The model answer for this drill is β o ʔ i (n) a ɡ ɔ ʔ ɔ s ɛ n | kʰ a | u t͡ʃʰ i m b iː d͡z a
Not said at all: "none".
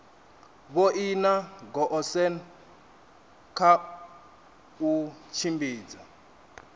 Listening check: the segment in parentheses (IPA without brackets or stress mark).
n